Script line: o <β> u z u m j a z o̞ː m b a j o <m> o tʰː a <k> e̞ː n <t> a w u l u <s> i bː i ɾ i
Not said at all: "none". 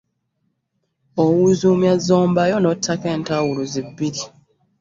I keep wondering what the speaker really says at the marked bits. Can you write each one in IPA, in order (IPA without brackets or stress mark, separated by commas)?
w, n, k, t, z